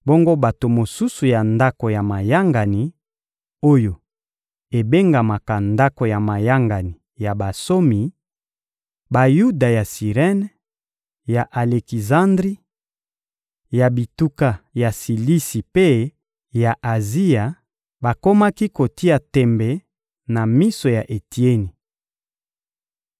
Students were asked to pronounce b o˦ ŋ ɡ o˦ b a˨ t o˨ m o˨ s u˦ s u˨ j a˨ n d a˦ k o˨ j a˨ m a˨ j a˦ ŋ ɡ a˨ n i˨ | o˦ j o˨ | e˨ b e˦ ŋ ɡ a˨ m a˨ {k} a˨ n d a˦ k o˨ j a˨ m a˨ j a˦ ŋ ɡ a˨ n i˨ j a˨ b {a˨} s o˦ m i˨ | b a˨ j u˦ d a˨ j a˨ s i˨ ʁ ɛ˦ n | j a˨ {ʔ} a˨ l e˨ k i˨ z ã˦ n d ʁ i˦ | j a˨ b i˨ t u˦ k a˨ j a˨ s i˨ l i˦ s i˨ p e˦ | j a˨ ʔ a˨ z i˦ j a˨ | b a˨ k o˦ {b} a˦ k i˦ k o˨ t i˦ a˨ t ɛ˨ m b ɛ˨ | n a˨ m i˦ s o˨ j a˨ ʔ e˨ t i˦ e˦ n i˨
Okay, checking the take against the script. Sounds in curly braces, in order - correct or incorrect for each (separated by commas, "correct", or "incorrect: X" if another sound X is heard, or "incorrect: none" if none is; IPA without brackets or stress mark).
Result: correct, correct, correct, incorrect: m